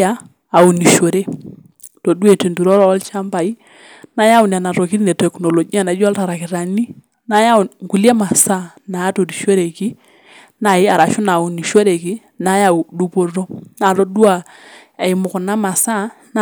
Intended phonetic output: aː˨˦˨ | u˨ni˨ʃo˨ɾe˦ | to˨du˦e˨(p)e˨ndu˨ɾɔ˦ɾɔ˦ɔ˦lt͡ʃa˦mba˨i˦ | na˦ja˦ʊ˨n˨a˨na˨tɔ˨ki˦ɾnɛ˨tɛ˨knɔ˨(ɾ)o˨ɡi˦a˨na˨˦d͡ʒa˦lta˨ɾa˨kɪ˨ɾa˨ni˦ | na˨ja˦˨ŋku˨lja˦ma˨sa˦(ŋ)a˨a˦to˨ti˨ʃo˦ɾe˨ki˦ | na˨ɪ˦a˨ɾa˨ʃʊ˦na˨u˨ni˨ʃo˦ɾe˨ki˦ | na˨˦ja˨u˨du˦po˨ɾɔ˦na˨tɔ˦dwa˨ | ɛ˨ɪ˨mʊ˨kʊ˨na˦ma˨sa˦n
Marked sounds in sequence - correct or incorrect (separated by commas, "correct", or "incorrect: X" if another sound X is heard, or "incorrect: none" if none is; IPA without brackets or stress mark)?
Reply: incorrect: t, incorrect: l, incorrect: n